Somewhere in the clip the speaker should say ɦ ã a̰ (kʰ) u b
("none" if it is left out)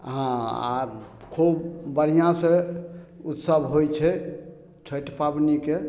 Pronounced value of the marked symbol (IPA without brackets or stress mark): kʰ